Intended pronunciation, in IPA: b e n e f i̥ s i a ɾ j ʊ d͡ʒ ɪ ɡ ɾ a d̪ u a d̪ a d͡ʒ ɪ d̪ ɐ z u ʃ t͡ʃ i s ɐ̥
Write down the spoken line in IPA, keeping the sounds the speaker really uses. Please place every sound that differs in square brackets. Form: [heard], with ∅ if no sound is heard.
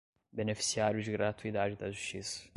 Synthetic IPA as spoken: b e n e f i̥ s i a ɾ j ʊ d͡ʒ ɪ ɡ ɾ a [t̪] u [i] d̪ a d͡ʒ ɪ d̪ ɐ [ʒ] u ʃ t͡ʃ i s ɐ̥